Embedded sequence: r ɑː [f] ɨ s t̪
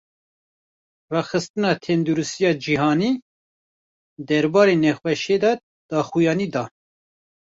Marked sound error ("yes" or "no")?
yes